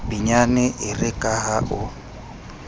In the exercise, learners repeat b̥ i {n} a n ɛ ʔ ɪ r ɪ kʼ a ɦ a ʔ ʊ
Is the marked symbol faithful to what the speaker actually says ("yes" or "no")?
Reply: no